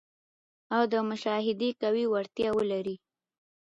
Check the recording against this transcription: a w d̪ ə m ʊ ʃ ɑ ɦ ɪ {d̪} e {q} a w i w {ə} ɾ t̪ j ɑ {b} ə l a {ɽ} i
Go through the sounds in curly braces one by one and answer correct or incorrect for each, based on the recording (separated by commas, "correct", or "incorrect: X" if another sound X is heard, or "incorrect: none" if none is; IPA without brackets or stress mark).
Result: correct, incorrect: k, incorrect: a, incorrect: w, incorrect: ɾ